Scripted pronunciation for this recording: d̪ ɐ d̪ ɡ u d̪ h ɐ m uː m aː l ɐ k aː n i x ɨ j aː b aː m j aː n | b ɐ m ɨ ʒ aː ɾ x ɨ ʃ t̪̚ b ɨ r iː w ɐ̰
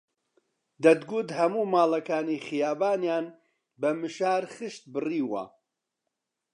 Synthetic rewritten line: d̪ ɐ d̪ ɡ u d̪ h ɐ m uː m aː l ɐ k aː n i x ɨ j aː b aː n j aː n | b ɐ m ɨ ʃ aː ɾ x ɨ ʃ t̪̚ b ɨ r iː w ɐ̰

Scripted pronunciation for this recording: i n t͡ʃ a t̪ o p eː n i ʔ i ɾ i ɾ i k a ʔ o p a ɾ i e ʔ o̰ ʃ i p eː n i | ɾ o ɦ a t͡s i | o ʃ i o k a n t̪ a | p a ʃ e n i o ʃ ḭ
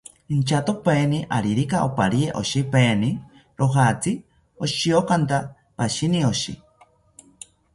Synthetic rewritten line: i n t͡ʃ a t̪ o p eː n i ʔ a ɾ i ɾ i k a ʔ o p a ɾ i e ʔ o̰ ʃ i p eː n i | ɾ o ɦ a t͡s i | o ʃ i o k a n t̪ a | p a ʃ i n i o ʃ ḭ

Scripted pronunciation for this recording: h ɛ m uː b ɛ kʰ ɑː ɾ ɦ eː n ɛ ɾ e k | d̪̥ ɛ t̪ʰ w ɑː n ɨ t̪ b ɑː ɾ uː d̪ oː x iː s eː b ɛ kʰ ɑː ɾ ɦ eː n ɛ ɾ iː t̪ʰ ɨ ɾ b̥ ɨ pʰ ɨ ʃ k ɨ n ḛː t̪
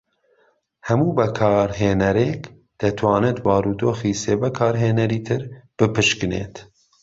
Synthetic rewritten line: h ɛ m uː b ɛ kʰ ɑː ɾ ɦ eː n ɛ ɾ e k | d̪̥ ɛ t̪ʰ w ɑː n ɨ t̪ b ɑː ɾ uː d̪ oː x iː s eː b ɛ kʰ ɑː ɾ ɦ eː n ɛ ɾ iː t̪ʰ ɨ ɾ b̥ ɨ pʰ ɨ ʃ k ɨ n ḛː t̪

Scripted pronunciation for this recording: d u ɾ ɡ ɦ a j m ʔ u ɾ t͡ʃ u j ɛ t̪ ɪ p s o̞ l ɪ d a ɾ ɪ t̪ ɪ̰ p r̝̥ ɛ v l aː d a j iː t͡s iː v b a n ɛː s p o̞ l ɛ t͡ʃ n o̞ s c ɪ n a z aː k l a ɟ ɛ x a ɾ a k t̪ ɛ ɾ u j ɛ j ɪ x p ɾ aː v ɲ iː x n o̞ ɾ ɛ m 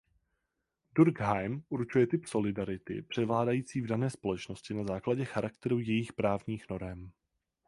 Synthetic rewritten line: d u ɾ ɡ ɦ a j m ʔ u ɾ t͡ʃ u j ɛ t̪ ɪ p s o̞ l ɪ d a ɾ ɪ t̪ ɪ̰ p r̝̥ ɛ v l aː d a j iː t͡s iː v d a n ɛː s p o̞ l ɛ t͡ʃ n o̞ s c ɪ n a z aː k l a ɟ ɛ x a ɾ a k t̪ ɛ ɾ u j ɛ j ɪ x p ɾ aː v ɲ iː x n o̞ ɾ ɛ m

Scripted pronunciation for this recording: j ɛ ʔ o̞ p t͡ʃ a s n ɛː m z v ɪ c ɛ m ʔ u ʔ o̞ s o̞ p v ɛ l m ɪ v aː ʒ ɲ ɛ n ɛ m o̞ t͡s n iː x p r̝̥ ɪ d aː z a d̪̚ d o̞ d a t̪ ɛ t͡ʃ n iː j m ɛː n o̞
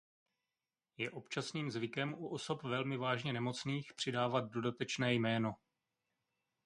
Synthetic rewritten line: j ɛ ʔ o̞ p t͡ʃ a s n iː m z v ɪ k ɛ m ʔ u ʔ o̞ s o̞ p v ɛ l m ɪ v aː ʒ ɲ ɛ n ɛ m o̞ t͡s n iː x p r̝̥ ɪ d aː v a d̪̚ d o̞ d a t̪ ɛ t͡ʃ n ɛː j m ɛː n o̞

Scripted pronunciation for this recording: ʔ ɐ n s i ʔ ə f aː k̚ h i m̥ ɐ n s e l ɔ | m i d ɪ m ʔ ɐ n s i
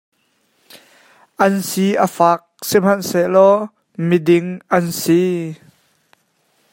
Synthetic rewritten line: ʔ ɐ n s i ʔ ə f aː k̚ s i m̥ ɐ n s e l ɔ | m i d ɪ ŋ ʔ ɐ n s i

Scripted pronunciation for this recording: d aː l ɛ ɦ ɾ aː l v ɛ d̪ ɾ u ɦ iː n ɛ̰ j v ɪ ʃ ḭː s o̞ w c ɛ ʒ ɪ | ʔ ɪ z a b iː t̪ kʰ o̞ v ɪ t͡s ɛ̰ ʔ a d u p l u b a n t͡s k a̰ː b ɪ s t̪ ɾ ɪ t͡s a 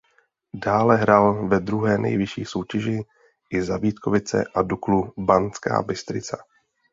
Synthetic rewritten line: d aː l ɛ ɦ ɾ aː l v ɛ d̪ ɾ u ɦ ɛː n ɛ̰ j v ɪ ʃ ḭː s o̞ w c ɛ ʒ ɪ | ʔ ɪ z a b iː t̪ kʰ o̞ v ɪ t͡s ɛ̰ ʔ a d u k l u b a n t͡s k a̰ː b ɪ s t̪ ɾ ɪ t͡s a

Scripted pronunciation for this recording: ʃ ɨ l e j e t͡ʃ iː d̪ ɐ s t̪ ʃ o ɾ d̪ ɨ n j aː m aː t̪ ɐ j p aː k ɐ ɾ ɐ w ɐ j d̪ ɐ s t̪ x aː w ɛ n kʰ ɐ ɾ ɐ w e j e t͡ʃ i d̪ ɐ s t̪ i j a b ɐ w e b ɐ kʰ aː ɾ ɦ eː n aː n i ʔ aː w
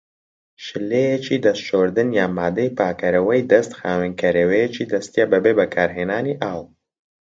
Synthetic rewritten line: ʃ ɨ l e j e t͡ʃ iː d̪ ɐ s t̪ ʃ o ɾ d̪ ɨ n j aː m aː d̪ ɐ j p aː k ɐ ɾ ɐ w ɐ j d̪ ɐ s t̪ x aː w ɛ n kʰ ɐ ɾ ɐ w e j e t͡ʃ i d̪ ɐ s t̪ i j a b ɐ b e b ɐ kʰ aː ɾ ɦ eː n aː n i ʔ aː w

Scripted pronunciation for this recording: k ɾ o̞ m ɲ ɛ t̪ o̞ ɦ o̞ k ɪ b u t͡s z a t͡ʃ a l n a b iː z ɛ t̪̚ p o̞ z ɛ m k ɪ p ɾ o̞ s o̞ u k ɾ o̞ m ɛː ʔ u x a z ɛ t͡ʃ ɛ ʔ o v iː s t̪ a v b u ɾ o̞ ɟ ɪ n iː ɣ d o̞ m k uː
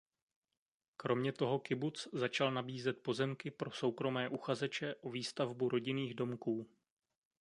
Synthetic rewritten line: k ɾ o̞ m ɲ ɛ t̪ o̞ ɦ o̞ k ɪ b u t͡s z a t͡ʃ a l n a b iː z ɛ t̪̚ p o̞ z ɛ m k ɪ p ɾ o̞ s o̞ w k ɾ o̞ m ɛː ʔ u x a z ɛ t͡ʃ ɛ ʔ o v iː s t̪ a v b u ɾ o̞ ɟ ɪ n iː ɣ d o̞ m k uː

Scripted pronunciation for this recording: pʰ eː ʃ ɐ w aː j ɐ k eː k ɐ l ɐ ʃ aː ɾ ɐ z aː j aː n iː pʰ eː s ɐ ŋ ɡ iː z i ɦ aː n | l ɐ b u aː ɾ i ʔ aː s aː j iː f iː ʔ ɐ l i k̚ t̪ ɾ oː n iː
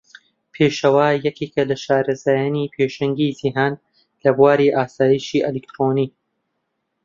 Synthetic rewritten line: pʰ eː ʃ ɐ w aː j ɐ k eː k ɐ l ɐ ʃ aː ɾ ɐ z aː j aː n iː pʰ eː ʃ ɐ ŋ ɡ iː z i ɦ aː n | l ɐ b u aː ɾ i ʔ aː s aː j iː ʃ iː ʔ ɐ l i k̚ t̪ ɾ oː n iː

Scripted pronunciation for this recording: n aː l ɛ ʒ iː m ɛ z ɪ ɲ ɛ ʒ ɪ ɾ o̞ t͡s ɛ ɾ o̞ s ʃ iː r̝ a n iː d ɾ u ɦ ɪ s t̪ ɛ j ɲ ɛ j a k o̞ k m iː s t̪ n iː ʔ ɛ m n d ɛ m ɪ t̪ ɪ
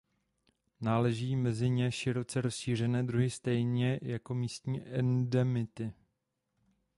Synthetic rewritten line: n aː l ɛ ʒ iː m ɛ z ɪ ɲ ɛ ʃ ɪ ɾ o̞ t͡s ɛ ɾ o̞ s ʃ iː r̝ ɛ n ɛː d ɾ u ɦ ɪ s t̪ ɛ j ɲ ɛ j a k o̞ m iː s t̪ ɲ iː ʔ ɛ n d ɛ m ɪ t̪ ɪ

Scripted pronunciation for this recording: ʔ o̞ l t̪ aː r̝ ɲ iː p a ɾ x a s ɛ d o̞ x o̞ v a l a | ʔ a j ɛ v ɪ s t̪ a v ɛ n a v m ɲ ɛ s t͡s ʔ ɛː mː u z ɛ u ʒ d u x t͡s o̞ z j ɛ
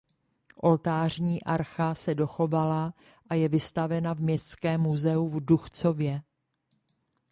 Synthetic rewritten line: ʔ o̞ l t̪ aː r̝ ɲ iː ʔ a ɾ x a s ɛ d o̞ x o̞ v a l a | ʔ a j ɛ v ɪ s t̪ a v ɛ n a v m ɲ ɛ s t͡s k ɛː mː u z ɛ u v d u x t͡s o̞ v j ɛ

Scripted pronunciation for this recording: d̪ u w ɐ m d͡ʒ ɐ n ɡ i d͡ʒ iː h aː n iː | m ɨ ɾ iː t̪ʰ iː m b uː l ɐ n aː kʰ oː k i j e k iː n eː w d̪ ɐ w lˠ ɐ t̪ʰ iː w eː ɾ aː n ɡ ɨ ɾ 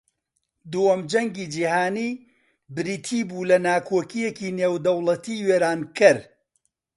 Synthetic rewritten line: d̪ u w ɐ m d͡ʒ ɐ ŋ ɡ i d͡ʒ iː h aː n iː | b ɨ ɾ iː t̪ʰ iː b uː l ɐ n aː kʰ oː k i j e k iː n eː w d̪ ɐ w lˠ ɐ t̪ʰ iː w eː ɾ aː n k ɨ ɾ

